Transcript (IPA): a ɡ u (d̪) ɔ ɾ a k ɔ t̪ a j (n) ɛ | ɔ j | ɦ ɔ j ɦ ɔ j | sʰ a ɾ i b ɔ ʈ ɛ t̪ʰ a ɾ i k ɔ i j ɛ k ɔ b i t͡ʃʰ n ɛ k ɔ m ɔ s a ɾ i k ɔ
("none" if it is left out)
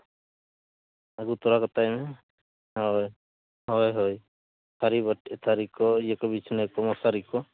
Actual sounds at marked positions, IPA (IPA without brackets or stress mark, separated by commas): t̪, m